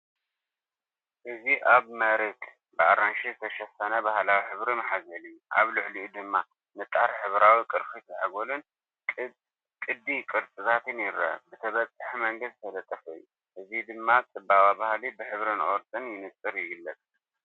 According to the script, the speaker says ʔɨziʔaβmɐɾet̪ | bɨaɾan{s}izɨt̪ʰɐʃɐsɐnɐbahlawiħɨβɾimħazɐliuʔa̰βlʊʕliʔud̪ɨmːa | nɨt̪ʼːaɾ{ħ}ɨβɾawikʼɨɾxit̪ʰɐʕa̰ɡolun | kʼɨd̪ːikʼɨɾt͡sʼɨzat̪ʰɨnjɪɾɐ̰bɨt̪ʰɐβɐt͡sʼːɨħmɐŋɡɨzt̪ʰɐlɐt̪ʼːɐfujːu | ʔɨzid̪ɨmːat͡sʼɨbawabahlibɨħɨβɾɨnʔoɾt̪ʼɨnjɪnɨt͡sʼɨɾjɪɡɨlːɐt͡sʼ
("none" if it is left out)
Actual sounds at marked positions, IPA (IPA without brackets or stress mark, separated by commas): ʃ, ħ